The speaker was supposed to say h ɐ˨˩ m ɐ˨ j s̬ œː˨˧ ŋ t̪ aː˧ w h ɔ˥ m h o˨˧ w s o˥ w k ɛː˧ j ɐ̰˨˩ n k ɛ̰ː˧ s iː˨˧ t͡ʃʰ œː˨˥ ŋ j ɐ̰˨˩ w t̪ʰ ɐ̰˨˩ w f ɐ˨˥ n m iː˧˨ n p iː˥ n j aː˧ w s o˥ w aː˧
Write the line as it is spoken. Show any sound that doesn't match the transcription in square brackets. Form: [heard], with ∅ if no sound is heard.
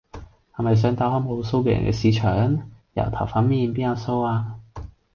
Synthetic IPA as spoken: h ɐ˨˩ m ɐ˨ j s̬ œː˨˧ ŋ t̪ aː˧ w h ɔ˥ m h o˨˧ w s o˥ w k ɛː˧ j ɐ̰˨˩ n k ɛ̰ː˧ s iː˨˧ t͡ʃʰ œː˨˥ ŋ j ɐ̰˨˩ w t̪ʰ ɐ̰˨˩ w f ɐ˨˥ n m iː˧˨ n p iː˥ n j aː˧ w s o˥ w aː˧